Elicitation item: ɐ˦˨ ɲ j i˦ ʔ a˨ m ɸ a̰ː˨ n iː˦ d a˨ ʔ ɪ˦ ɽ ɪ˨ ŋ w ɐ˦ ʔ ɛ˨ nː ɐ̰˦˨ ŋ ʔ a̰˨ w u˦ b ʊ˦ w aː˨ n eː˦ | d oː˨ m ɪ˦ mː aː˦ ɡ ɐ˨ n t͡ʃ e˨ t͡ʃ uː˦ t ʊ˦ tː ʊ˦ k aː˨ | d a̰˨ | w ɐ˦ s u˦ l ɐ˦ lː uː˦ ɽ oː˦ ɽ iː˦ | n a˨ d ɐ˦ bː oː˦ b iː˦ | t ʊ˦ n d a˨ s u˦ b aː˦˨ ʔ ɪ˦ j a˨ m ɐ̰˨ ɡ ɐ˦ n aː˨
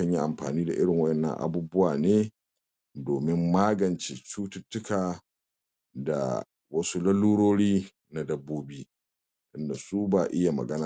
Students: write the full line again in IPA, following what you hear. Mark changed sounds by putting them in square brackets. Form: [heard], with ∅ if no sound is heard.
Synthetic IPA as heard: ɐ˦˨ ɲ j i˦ ʔ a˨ m ɸ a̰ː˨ n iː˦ d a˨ ʔ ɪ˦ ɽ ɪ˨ ŋ w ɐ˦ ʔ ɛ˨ nː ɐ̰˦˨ ŋ ʔ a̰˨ [b] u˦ b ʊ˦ w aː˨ n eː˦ | d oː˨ m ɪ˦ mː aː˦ ɡ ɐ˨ n t͡ʃ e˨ t͡ʃ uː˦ t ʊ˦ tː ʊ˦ k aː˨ | d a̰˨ | w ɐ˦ s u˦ l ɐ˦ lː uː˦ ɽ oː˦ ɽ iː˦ | n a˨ d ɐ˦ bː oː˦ b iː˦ | t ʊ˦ n d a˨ s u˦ b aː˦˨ ʔ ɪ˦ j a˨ m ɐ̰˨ ɡ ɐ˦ n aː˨